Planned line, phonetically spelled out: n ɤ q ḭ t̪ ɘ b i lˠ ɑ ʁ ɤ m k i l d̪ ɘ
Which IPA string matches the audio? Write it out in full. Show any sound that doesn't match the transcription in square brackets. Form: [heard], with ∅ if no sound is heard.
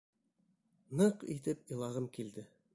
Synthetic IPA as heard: n ɤ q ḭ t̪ ɘ [p] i lˠ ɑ ʁ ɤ m k i l d̪ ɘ